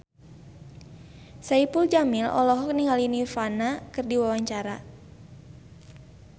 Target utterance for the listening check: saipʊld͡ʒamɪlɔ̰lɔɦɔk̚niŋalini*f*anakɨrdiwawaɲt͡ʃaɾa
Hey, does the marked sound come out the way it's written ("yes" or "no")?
yes